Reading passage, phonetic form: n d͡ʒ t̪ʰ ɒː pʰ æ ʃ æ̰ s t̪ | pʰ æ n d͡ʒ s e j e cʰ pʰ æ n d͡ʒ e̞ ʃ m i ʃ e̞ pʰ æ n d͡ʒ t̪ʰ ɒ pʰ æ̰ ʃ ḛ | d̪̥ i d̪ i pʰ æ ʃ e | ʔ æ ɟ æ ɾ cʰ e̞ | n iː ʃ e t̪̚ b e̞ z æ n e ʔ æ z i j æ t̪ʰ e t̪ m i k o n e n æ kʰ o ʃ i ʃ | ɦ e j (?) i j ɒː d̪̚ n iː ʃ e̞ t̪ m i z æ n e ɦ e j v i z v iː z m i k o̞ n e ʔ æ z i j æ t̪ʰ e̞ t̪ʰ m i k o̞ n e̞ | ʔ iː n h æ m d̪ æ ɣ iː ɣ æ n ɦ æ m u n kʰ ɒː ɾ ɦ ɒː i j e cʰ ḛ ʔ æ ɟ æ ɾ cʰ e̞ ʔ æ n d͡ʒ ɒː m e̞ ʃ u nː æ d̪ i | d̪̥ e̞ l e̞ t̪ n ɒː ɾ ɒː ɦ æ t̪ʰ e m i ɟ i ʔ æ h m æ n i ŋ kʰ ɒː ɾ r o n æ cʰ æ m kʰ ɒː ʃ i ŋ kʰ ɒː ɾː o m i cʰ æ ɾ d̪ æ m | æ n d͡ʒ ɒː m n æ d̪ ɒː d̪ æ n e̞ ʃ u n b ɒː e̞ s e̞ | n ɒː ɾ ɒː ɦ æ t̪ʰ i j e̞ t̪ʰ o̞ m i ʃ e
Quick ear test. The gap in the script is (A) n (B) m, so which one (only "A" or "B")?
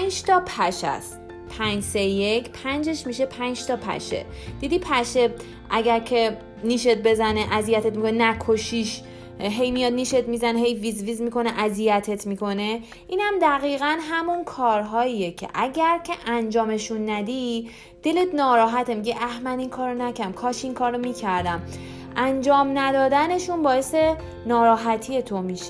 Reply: B